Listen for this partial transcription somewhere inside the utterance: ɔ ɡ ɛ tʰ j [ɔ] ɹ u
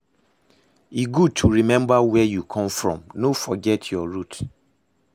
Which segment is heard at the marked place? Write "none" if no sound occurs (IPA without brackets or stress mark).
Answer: ɔ